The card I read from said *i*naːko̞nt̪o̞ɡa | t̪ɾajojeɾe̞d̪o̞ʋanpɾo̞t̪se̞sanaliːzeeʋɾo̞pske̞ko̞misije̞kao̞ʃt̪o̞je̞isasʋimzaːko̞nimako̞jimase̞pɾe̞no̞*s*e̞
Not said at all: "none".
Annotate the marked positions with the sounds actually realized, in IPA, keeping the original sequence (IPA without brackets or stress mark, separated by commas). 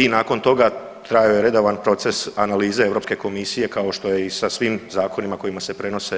i, s